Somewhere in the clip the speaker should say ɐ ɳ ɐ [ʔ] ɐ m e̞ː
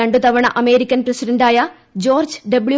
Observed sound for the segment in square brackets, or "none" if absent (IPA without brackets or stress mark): ʔ